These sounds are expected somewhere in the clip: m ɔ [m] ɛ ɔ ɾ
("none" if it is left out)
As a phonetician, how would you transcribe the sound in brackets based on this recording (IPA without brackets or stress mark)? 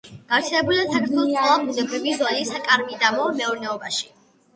m